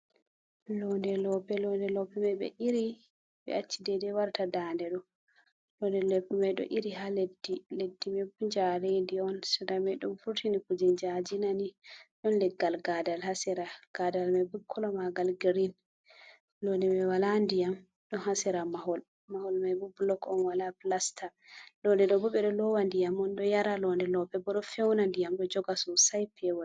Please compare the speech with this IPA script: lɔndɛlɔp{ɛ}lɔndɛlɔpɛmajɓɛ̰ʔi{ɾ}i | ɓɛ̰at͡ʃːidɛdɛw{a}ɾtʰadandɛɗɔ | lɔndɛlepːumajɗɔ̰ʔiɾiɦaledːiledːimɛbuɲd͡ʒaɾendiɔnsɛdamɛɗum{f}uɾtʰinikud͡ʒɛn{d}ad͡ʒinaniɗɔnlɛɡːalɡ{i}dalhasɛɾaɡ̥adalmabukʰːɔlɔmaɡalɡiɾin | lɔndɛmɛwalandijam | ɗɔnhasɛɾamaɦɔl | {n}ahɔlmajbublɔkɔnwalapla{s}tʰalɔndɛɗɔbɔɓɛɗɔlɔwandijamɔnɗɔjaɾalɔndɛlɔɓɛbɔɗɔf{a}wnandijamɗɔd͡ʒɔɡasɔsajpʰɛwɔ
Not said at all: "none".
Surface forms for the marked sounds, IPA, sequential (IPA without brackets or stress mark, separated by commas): ɛ, ɾ, a, f, d͡ʒ, a, m, s, ɛ